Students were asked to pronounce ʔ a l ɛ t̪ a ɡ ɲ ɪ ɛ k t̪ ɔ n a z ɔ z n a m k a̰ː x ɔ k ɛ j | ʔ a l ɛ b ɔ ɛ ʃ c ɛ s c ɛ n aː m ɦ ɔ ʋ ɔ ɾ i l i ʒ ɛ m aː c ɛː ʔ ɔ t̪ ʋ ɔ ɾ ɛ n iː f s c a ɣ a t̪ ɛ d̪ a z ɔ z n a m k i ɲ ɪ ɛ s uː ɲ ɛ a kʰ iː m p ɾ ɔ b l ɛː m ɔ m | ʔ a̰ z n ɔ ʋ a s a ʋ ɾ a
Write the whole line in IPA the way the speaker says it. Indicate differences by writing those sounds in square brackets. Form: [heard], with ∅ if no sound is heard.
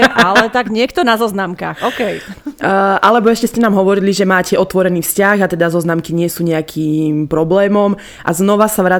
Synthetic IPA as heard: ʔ a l ɛ t̪ a ɡ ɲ ɪ ɛ k t̪ ɔ n a z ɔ z n a m k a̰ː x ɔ k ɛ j | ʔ a l ɛ b ɔ ɛ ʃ c ɛ s c ɛ n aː m ɦ ɔ ʋ ɔ ɾ i l i ʒ ɛ m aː c [ɛ] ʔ ɔ t̪ ʋ ɔ ɾ ɛ n iː f s c a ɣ a t̪ ɛ d̪ a z ɔ z n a m k i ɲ ɪ ɛ s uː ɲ ɛ a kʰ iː m p ɾ ɔ b l ɛː m ɔ m | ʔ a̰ z n ɔ ʋ a s a ʋ ɾ a